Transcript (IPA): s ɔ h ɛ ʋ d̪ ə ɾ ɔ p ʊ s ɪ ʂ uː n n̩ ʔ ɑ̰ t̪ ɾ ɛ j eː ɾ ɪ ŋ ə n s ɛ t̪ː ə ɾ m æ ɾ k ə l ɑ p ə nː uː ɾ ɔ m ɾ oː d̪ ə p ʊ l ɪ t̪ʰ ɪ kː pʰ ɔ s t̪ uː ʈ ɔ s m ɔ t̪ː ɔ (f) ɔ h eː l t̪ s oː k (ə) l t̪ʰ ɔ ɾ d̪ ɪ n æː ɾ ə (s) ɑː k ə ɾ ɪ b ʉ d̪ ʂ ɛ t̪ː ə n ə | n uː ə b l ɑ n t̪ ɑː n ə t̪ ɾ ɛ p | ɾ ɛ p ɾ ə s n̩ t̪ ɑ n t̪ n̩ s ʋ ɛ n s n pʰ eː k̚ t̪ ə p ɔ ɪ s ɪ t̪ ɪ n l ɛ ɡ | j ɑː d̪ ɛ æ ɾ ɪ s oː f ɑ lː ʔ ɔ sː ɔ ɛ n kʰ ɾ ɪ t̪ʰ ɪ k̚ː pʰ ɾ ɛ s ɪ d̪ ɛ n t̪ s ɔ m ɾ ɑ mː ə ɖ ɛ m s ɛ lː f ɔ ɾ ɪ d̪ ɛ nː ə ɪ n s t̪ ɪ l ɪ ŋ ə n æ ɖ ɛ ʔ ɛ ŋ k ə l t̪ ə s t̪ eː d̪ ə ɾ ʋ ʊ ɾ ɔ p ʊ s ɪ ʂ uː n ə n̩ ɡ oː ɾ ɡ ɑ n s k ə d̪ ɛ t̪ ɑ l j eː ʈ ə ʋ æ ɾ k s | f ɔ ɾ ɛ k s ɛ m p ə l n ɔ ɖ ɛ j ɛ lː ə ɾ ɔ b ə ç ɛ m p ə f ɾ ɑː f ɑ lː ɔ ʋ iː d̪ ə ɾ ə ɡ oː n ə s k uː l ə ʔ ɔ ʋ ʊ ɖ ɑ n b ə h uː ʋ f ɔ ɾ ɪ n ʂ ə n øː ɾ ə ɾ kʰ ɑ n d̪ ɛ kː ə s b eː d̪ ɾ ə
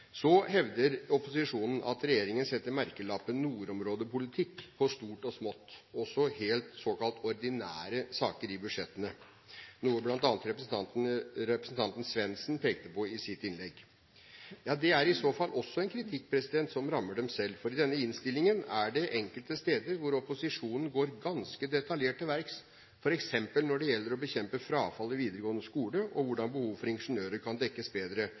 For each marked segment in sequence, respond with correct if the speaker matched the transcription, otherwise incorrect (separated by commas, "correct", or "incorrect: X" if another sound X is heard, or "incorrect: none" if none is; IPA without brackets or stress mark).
incorrect: s, incorrect: ɑ, correct